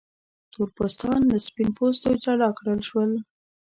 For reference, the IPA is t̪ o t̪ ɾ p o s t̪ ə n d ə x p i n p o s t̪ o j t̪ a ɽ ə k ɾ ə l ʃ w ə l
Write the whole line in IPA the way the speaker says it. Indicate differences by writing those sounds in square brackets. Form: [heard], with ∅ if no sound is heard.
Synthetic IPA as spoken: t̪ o [∅] ɾ p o s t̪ [ɑ] n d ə [s] p i n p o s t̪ o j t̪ a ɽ [ɑ] k [ɽ] ə l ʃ w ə l